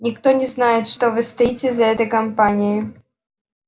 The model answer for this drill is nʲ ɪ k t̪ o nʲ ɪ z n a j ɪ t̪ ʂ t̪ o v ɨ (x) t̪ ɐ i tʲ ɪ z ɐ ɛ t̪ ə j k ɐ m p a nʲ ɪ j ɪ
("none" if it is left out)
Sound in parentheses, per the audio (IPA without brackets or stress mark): s